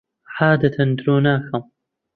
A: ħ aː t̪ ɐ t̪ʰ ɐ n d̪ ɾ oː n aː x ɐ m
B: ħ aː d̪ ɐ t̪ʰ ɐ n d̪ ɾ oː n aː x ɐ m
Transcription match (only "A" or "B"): B